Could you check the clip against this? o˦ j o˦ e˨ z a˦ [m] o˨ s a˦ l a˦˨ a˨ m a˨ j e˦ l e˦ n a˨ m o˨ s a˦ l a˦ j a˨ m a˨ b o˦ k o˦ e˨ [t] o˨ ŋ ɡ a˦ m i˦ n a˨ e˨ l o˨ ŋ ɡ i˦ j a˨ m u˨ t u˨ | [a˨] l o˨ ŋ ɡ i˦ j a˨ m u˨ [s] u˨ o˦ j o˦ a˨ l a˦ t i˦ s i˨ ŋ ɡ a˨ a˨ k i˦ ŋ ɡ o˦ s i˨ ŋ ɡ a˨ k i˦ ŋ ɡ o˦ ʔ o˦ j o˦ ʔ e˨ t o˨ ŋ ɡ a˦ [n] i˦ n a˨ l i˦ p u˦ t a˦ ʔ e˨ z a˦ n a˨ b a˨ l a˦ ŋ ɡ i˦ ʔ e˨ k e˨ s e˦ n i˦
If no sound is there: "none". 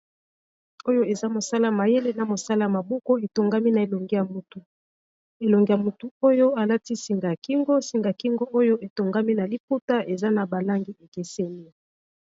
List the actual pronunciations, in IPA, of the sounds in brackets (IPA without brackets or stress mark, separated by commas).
m, t, e˨, t, m